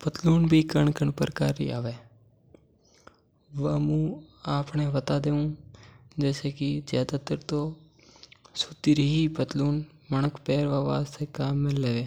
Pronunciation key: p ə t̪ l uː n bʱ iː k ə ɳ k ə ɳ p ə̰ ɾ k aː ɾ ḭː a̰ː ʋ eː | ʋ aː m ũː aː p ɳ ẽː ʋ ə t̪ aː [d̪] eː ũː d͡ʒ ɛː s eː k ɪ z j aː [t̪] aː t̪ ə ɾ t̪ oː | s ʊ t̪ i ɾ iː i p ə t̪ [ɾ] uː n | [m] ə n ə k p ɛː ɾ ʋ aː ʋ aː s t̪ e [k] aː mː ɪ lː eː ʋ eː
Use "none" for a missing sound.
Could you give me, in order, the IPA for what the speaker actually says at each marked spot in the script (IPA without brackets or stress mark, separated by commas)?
d̪, d̪, l, m, k